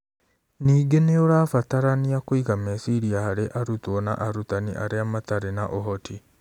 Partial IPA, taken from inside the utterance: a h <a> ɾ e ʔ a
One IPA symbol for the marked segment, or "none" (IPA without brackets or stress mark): a